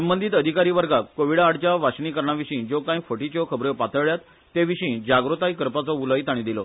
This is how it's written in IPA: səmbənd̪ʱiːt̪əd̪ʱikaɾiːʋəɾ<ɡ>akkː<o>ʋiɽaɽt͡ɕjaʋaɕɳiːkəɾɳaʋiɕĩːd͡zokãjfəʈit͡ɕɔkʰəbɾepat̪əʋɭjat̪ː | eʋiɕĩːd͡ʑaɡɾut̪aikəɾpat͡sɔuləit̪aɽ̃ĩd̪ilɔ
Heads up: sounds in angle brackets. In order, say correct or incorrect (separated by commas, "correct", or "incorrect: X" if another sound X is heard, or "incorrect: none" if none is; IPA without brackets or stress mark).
correct, correct